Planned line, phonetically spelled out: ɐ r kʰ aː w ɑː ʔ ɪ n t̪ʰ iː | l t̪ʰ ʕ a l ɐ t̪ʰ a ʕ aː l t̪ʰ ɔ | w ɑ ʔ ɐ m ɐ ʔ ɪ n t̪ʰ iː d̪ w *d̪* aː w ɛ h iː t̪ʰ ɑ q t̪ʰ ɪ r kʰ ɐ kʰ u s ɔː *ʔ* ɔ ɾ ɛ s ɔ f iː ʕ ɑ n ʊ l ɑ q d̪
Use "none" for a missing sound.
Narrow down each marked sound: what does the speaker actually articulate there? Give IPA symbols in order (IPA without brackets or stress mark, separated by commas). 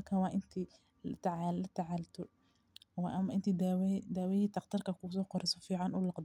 d̪, q